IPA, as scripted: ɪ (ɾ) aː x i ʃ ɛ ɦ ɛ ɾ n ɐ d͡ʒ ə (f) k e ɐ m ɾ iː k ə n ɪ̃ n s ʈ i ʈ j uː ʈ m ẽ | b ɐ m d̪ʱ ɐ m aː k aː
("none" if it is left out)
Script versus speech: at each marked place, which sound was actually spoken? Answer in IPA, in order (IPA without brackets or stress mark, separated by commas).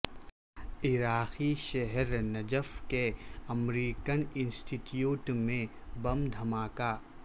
ɾ, f